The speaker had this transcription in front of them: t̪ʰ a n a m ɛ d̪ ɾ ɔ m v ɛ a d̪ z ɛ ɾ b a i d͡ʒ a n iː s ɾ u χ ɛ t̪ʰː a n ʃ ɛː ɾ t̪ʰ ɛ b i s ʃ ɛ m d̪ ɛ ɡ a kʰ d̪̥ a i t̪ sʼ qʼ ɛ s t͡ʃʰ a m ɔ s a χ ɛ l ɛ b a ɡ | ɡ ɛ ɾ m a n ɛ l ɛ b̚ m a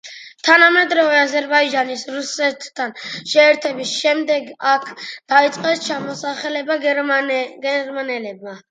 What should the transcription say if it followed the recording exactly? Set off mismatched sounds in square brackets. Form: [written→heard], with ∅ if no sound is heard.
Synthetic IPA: t̪ʰ a n a m ɛ d̪ ɾ ɔ [m→∅] v ɛ a [d̪→∅] z ɛ ɾ b a i d͡ʒ a n [iː→i] s ɾ u [χ→s] ɛ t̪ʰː a n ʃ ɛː ɾ t̪ʰ ɛ b i s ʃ ɛ m d̪ ɛ ɡ a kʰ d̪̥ a i t̪ sʼ qʼ ɛ s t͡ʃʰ a m ɔ s a χ ɛ l ɛ b a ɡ | ɡ ɛ ɾ m a n ɛ l ɛ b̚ m a